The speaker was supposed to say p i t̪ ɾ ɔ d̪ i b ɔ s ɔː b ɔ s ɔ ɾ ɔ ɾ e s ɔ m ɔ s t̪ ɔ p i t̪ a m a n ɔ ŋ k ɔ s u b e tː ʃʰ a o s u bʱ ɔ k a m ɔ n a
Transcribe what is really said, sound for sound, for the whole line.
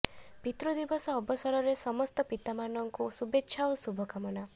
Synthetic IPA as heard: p i t̪ ɾ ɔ d̪ i b ɔ s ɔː b ɔ s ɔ ɾ ɔ ɾ e s ɔ m ɔ s t̪ ɔ p i t̪ a m a n ɔ ŋ k u s u b e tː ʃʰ a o s u bʱ ɔ k a m ɔ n a